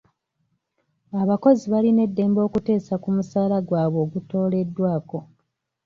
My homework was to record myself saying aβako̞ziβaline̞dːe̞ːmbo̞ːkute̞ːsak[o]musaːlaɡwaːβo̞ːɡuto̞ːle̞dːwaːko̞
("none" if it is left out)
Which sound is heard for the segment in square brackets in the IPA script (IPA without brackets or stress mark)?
u